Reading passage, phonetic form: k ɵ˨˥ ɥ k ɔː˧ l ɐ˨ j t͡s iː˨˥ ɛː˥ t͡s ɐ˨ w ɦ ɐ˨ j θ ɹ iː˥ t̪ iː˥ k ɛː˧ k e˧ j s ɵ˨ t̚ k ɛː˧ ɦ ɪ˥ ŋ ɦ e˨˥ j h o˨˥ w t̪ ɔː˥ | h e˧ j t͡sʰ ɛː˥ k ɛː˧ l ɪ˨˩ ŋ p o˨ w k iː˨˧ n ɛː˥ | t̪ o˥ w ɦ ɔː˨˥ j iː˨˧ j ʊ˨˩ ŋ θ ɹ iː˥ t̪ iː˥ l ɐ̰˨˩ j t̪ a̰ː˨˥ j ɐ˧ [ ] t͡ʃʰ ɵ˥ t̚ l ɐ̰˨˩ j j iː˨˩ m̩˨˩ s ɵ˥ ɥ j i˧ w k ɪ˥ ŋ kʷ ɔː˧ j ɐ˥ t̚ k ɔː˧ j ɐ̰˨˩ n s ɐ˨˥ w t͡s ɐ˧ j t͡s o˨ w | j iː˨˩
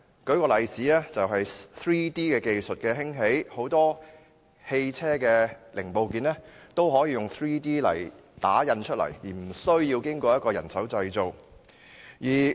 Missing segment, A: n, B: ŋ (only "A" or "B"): A